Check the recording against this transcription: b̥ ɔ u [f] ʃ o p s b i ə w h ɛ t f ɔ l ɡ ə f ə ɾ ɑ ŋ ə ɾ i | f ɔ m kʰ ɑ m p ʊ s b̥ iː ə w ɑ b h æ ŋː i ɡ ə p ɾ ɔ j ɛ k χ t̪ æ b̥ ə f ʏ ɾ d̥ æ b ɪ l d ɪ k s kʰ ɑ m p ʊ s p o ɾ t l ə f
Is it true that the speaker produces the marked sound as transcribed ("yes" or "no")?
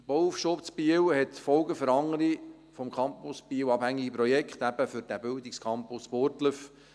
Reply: yes